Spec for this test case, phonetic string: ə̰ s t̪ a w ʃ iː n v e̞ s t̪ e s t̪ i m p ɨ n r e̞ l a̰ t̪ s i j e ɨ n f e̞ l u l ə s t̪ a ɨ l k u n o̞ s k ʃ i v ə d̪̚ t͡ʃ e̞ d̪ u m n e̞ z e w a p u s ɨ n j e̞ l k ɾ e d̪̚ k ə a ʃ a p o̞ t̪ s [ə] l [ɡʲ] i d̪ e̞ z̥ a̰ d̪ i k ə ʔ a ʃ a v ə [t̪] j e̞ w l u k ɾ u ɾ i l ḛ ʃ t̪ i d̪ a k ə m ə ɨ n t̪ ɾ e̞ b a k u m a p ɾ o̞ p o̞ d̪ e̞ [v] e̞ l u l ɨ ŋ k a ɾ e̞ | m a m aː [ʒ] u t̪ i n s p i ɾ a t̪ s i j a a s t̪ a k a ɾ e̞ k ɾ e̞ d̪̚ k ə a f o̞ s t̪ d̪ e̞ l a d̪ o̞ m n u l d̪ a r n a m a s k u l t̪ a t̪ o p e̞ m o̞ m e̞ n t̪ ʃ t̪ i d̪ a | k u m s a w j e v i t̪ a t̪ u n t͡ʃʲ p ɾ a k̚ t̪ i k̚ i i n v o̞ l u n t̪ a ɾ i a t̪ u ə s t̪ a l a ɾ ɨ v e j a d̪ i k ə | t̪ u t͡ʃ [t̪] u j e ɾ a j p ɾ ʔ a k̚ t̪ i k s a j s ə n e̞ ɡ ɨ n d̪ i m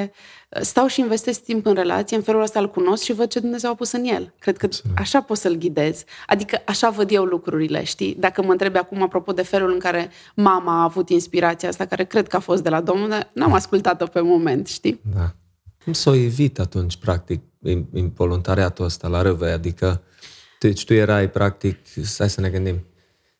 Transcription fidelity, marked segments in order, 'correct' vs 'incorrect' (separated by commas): correct, correct, incorrect, incorrect, incorrect, correct